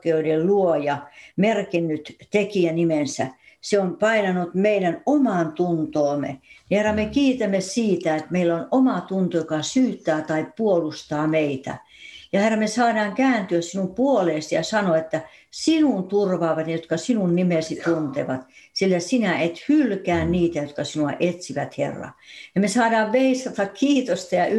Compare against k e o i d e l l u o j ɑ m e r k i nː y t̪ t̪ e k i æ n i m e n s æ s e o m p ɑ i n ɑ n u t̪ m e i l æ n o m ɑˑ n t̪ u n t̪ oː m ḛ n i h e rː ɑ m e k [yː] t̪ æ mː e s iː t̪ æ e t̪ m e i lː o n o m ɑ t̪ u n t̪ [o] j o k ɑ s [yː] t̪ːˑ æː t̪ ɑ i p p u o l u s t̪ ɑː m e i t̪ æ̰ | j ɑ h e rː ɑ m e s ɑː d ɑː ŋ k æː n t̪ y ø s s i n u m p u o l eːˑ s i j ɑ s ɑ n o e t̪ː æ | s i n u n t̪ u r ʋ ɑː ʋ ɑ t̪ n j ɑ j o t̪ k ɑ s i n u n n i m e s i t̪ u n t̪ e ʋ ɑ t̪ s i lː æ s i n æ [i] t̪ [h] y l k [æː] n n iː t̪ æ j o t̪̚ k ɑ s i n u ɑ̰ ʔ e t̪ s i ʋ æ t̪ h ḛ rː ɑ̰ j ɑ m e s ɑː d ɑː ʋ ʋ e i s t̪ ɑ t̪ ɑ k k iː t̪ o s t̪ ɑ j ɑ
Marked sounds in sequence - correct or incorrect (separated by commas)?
incorrect, correct, correct, incorrect, correct, correct